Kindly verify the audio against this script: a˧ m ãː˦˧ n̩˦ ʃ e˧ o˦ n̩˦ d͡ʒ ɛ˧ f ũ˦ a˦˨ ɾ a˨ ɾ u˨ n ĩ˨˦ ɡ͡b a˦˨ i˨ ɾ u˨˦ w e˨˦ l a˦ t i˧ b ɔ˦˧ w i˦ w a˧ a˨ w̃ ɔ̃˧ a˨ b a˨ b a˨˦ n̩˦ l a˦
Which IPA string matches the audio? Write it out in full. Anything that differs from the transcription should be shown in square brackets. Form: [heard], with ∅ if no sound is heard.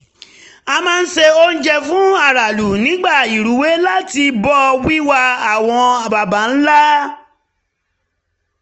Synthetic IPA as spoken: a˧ m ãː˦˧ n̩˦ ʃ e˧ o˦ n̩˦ d͡ʒ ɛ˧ f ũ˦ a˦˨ ɾ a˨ [l] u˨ n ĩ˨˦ ɡ͡b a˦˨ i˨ ɾ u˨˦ w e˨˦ l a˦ t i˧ b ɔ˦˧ w i˦ w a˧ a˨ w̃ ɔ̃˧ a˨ b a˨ b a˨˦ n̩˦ l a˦